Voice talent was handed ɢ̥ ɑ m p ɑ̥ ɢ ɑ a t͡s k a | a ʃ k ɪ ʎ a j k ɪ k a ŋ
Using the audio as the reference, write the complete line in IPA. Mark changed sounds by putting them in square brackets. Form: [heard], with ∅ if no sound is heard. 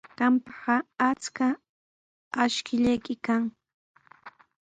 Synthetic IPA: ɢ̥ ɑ m p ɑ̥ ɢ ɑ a t͡s k a | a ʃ k ɪ ʎ a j k ɪ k a ŋ